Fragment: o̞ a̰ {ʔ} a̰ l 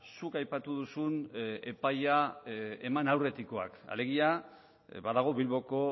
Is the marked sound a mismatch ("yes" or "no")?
yes